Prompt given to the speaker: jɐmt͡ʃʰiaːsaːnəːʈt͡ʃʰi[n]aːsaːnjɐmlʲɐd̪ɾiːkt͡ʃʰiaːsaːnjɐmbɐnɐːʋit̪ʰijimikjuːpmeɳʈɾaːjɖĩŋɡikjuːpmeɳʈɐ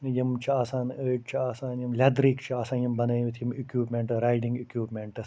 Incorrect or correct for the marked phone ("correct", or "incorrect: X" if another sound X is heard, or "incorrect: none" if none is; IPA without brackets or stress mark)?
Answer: incorrect: none